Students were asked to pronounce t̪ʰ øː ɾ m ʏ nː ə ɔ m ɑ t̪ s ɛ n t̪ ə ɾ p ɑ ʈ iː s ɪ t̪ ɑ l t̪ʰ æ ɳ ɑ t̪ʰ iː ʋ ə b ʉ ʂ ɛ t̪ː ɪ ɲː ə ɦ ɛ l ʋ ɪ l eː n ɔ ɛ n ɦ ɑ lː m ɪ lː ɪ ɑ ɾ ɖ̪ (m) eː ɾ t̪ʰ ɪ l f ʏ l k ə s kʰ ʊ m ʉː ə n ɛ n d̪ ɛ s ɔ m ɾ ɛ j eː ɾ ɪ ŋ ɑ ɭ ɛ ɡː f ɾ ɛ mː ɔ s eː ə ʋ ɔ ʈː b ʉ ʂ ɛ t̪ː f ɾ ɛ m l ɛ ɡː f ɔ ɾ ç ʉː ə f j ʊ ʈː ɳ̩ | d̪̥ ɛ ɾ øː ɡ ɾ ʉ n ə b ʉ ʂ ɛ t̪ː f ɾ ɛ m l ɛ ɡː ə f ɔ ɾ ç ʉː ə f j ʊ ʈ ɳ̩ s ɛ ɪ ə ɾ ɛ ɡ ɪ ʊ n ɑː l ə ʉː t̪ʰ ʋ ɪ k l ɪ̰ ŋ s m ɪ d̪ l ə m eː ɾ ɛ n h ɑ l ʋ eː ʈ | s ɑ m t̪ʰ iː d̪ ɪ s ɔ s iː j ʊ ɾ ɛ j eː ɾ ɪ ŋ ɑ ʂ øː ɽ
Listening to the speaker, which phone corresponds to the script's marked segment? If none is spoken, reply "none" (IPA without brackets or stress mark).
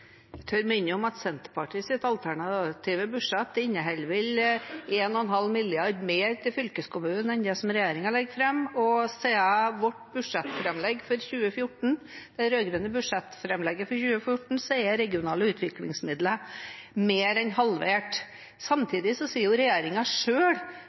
m